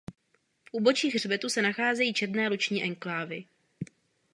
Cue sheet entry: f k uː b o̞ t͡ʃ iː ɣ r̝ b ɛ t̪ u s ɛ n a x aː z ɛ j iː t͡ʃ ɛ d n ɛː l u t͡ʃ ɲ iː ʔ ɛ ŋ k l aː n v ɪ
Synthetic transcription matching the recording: f ʔ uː b o̞ t͡ʃ iː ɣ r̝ b ɛ t̪ u s ɛ n a x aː z ɛ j iː t͡ʃ ɛ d n ɛː l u t͡ʃ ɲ iː ʔ ɛ ŋ k l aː v ɪ